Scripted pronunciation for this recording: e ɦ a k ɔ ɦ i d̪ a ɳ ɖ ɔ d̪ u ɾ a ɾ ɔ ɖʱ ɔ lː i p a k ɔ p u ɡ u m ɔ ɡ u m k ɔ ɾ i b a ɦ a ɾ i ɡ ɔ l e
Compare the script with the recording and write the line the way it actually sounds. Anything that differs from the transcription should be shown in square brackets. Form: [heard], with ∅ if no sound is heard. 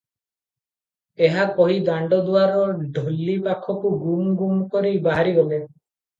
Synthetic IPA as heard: e ɦ a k ɔ ɦ i d̪ a ɳ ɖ ɔ d̪ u [∅] a ɾ ɔ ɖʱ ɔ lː i p a [kʰ] ɔ [k] u ɡ u m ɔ ɡ u m k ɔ ɾ i b a ɦ a ɾ i ɡ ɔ l e

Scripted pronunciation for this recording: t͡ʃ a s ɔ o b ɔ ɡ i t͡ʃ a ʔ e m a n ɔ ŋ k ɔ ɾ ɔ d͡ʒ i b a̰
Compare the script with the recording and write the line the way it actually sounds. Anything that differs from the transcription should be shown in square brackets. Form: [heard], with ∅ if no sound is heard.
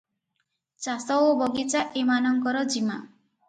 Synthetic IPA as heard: t͡ʃ a s ɔ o b ɔ ɡ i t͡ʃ a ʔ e m a n ɔ ŋ k ɔ ɾ ɔ d͡ʒ i [m] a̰

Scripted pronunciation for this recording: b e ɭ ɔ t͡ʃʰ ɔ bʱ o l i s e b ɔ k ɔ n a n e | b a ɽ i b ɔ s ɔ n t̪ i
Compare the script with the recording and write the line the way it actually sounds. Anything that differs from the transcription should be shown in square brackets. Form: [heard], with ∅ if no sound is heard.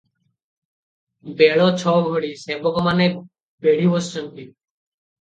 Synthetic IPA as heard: b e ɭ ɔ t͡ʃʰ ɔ [ɡʱ] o [ɽ] i s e b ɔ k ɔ [m] a n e | b [e] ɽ i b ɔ s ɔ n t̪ i

